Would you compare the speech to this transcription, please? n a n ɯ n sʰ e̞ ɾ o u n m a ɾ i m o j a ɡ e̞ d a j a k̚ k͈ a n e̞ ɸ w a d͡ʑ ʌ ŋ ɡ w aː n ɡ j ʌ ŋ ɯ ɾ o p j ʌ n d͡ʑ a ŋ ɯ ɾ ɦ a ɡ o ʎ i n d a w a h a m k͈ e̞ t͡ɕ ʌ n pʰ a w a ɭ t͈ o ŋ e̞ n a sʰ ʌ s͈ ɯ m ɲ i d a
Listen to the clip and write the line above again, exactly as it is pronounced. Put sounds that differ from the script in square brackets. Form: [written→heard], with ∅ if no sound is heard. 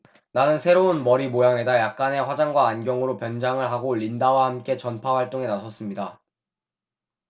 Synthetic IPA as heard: n a n ɯ n sʰ e̞ ɾ o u n m [a→ʌ] ɾ i m o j a [ɡ→ŋ] e̞ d a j a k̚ k͈ a n e̞ ɸ w a d͡ʑ [ʌ→a] ŋ ɡ w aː n ɡ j ʌ ŋ ɯ ɾ o p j ʌ n d͡ʑ a ŋ ɯ [ɾ→ɭ] ɦ a ɡ o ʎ i n d a w a h a m k͈ e̞ t͡ɕ ʌ n pʰ a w a ɭ t͈ o ŋ e̞ n a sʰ ʌ s͈ ɯ m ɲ i d a